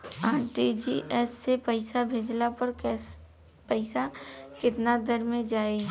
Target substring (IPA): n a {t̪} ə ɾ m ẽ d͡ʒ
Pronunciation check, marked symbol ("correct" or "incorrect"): incorrect